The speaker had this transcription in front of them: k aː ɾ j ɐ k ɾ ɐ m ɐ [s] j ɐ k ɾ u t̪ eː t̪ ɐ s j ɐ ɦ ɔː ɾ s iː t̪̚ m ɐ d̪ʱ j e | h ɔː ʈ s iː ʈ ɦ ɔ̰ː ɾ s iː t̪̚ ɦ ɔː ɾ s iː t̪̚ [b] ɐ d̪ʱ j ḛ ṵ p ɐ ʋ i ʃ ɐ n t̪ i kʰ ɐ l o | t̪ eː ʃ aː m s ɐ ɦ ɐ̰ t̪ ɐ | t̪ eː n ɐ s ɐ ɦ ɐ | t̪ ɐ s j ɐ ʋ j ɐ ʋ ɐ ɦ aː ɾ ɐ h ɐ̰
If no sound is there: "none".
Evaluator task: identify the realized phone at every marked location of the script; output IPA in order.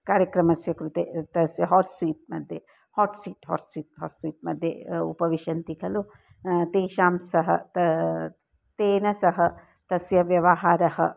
s, m

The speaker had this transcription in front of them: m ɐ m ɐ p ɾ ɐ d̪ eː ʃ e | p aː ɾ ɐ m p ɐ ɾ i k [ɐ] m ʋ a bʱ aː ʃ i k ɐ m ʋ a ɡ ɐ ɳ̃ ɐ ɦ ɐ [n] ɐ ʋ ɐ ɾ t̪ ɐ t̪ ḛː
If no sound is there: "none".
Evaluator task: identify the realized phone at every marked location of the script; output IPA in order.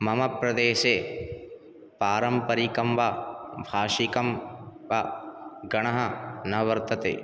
ɐ, n

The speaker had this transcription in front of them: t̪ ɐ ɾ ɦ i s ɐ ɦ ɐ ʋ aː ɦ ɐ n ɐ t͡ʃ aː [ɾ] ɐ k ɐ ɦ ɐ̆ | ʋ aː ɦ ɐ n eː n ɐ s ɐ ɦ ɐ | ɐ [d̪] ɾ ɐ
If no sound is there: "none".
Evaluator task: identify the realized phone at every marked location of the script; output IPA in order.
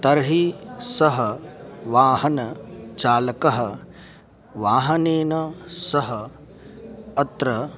l, t̪

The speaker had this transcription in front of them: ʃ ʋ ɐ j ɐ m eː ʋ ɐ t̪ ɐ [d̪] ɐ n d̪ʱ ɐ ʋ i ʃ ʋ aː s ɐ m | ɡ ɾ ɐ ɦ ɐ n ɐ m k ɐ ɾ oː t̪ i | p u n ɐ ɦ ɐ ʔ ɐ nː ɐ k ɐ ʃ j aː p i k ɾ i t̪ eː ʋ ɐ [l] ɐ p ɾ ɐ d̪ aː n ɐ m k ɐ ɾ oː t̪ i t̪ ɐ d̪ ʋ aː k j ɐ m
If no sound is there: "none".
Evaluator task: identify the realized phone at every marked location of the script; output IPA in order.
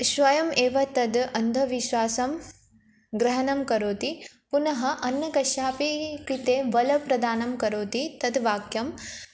d̪, l

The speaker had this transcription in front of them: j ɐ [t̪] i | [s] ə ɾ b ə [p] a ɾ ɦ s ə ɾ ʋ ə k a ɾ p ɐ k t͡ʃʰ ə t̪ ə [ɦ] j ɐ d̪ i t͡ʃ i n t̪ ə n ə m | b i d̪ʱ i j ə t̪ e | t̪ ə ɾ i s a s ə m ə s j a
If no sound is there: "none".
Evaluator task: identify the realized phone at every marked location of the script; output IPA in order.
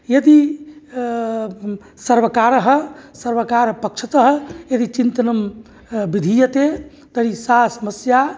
d̪, s, k, ɦ

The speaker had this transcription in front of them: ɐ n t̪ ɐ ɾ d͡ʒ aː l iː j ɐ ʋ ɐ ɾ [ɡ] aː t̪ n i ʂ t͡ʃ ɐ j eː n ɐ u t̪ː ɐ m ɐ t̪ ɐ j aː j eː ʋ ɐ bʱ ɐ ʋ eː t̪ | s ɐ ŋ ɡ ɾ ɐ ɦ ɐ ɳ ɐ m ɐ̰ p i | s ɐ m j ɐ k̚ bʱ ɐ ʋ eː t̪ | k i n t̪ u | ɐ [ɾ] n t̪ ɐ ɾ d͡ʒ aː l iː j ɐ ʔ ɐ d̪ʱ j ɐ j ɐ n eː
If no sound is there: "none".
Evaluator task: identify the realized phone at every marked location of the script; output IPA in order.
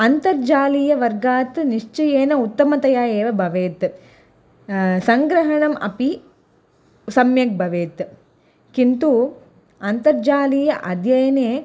ɡ, none

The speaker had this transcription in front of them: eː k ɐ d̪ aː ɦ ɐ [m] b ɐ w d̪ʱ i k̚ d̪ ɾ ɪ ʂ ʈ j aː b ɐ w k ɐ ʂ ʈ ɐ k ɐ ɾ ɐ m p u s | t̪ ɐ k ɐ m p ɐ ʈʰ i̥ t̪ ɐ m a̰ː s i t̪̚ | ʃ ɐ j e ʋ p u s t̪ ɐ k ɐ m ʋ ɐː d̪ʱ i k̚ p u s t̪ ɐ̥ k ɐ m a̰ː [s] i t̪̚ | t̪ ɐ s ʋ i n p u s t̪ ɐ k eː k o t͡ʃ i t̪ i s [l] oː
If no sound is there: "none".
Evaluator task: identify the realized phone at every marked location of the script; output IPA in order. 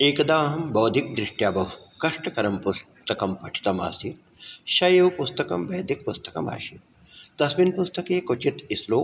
m, ʃ, l

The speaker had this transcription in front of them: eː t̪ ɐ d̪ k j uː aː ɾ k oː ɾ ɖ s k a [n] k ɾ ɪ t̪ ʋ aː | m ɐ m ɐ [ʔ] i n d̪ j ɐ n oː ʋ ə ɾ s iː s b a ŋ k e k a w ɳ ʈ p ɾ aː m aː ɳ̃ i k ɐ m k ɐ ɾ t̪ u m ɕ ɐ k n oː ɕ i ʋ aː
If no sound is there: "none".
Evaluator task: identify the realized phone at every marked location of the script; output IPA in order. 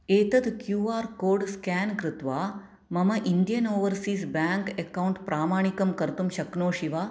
n, ʔ

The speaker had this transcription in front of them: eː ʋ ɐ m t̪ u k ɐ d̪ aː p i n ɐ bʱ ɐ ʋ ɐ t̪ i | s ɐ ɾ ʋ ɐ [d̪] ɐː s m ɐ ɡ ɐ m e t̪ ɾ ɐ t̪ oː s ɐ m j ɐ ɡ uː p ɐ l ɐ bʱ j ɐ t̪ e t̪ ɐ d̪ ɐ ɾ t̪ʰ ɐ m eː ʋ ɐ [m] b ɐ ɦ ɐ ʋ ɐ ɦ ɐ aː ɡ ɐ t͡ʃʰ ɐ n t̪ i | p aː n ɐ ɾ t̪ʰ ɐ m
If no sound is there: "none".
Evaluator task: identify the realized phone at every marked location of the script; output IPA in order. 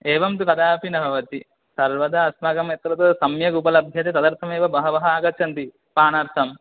d̪, none

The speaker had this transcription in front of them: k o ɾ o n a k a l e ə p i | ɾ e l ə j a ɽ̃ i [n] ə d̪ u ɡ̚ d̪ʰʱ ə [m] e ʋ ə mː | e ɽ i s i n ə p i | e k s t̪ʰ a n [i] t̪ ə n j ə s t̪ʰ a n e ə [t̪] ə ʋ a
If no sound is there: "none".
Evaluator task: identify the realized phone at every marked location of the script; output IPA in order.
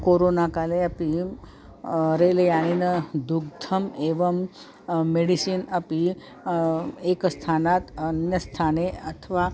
n, m, a, t̪ʰ

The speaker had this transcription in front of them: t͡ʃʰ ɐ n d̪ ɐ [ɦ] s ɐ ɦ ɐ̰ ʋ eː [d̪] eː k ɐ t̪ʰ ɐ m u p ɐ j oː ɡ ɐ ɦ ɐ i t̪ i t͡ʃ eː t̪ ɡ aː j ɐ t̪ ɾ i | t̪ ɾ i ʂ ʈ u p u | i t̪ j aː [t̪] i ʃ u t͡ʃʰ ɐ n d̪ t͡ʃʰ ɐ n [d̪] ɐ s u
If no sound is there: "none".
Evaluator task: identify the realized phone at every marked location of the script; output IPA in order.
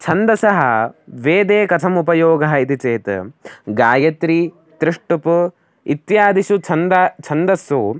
none, d̪, d̪, d̪

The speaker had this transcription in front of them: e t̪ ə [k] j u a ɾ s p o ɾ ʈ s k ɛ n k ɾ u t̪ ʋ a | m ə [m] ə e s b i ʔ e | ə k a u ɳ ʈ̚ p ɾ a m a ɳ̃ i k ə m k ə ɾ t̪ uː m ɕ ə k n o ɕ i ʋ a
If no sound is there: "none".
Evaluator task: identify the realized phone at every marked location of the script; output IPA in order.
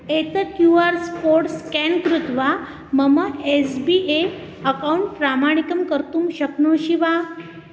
k, m

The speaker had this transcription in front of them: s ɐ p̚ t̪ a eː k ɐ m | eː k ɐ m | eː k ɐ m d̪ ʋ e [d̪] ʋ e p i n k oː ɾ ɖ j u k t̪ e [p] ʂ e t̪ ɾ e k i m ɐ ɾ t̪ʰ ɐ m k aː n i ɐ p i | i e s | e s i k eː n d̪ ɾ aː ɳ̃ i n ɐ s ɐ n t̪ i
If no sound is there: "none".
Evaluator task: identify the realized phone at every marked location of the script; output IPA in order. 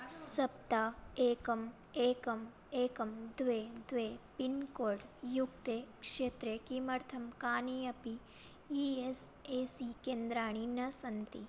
d̪, k

